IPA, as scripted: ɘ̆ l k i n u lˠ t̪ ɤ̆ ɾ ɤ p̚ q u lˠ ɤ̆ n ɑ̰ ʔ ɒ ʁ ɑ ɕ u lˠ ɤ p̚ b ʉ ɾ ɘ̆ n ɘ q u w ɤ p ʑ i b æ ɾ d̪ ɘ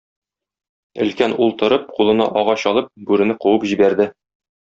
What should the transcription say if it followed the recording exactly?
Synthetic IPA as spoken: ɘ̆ l k æ n u lˠ t̪ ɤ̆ ɾ ɤ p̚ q u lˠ ɤ̆ n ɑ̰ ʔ ɒ ʁ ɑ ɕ ɒ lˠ ɤ p̚ b ʉ ɾ ɘ̆ n ɘ q u w ɤ p ʑ i b æ ɾ d̪ ɘ